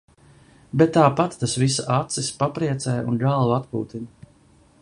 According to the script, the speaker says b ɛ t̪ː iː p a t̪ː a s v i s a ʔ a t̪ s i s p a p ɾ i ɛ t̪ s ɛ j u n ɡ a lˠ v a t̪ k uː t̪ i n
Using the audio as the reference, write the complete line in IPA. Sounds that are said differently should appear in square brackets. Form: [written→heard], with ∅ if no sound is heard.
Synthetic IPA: b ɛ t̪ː [iː→aː] p a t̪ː a s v i s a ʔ a t̪ s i s p a p ɾ i ɛ t̪ s ɛ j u n ɡ a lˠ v a t̪ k uː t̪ i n